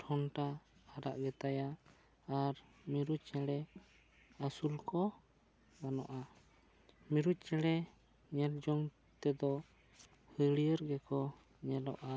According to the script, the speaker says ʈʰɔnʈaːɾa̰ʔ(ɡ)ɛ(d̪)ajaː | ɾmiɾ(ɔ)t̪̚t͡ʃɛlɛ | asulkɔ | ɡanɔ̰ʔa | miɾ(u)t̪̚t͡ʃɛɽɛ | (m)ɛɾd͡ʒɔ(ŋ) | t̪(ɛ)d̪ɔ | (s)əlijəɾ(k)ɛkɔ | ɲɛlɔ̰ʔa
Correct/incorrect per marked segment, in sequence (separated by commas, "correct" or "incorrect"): correct, incorrect, incorrect, correct, incorrect, correct, correct, incorrect, incorrect